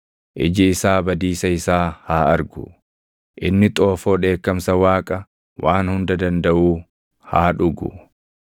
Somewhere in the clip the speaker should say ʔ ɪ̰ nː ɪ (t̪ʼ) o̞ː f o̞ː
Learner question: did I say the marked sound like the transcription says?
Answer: yes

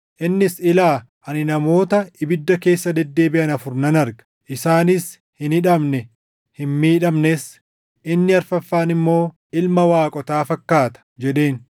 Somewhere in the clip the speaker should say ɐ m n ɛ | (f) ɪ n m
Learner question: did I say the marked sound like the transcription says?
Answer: no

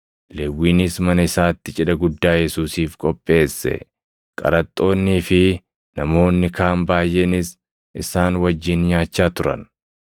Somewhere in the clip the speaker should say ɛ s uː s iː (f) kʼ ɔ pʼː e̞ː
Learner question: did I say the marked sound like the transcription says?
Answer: yes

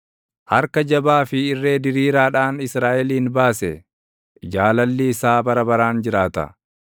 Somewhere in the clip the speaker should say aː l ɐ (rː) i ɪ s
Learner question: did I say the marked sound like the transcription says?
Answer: no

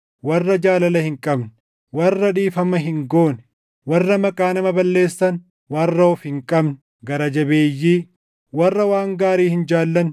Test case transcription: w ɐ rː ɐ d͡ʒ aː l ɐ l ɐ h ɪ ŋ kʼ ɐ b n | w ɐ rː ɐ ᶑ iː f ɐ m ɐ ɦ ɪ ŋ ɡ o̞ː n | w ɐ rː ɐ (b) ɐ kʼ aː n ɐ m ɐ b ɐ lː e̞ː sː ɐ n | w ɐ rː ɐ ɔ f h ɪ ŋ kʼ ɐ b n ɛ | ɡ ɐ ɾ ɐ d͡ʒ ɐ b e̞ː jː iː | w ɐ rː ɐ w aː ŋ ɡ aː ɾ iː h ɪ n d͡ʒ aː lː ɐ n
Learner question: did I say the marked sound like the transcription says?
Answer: no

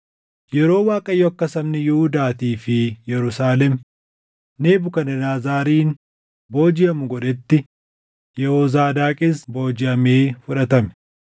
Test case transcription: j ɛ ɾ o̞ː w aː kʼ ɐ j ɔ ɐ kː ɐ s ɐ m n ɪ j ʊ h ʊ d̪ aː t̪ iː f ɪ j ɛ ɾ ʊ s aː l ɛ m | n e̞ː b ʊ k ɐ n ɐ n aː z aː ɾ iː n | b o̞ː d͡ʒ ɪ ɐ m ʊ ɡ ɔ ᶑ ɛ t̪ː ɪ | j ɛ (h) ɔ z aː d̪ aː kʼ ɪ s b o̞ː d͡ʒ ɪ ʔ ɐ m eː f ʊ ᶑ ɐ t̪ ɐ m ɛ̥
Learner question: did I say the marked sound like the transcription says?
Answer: yes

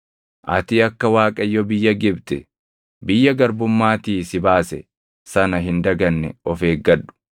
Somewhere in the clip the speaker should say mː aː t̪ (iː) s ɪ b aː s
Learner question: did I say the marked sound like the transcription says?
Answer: yes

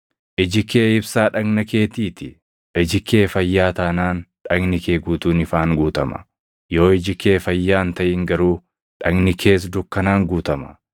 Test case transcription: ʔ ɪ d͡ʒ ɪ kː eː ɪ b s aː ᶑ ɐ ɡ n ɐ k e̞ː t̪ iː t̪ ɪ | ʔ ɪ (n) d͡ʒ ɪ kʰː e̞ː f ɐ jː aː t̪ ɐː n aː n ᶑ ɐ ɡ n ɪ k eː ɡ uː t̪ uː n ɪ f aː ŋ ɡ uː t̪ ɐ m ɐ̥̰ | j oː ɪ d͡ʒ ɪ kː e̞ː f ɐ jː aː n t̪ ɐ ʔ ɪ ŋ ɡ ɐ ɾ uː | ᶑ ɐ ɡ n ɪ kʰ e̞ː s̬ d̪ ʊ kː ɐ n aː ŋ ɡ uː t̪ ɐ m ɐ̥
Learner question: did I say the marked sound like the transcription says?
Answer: no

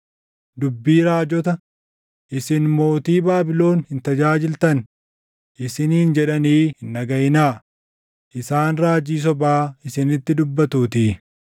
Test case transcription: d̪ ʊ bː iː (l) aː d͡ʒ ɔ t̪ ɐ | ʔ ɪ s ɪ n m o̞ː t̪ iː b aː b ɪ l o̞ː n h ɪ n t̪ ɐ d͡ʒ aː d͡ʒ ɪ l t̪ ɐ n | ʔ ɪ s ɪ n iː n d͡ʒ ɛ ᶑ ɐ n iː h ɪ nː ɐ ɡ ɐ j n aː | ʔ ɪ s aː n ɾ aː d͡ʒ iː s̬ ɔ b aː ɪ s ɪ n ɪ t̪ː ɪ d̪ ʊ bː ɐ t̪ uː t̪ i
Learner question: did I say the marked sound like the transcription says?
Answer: no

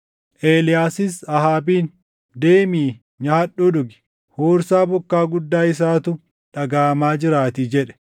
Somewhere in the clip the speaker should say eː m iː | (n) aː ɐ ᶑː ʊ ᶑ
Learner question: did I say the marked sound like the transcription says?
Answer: no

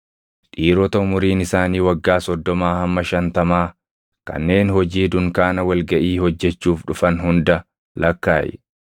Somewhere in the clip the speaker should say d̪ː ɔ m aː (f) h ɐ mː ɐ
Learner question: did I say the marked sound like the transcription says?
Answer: no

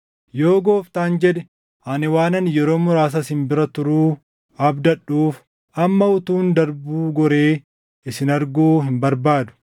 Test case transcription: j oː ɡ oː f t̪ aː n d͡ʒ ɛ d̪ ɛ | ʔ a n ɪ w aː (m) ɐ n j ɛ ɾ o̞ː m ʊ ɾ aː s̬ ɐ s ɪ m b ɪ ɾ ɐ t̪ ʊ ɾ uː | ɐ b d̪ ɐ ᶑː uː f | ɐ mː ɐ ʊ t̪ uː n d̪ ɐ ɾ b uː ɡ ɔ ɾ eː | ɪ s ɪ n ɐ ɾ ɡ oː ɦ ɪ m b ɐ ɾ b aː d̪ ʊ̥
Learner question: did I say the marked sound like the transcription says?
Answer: no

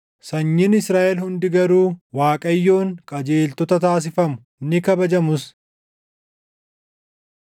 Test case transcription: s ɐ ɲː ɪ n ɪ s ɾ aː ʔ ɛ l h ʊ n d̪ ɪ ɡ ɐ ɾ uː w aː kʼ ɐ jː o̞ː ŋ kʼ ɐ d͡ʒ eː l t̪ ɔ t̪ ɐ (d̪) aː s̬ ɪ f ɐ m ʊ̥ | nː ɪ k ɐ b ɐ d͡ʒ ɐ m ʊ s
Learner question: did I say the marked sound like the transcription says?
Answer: no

